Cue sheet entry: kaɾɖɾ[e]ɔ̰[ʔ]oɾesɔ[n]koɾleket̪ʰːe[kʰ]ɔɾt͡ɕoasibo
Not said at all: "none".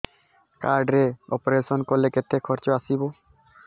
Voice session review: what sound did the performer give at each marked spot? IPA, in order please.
e, p, n, kʰ

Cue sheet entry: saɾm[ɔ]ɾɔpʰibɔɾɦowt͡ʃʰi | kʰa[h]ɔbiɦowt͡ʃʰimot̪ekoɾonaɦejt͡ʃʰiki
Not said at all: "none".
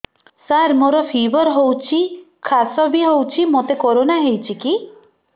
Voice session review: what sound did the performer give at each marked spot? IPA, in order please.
o, s

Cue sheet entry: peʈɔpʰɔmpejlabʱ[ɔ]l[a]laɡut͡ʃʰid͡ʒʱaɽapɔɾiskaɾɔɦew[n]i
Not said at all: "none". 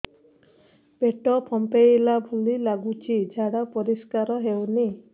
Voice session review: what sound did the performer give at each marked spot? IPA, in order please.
u, i, n

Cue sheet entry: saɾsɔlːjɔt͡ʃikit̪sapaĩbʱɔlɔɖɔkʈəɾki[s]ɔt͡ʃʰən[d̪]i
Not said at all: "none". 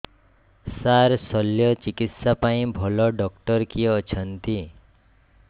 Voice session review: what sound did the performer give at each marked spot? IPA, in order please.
none, t̪

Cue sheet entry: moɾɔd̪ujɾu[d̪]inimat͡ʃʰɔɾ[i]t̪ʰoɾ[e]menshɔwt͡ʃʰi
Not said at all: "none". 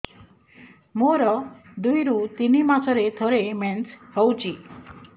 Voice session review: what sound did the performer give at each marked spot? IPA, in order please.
t̪, e, e

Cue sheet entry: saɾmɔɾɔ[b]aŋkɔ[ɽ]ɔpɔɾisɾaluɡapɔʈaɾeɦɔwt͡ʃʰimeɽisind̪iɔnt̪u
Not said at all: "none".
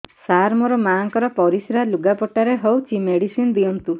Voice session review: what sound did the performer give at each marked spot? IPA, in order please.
m, ɾ

